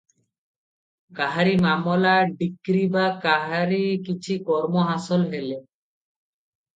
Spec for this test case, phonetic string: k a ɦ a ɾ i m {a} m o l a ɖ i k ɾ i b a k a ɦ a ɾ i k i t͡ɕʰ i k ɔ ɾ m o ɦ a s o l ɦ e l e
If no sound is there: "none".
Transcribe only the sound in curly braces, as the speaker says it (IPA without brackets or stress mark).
a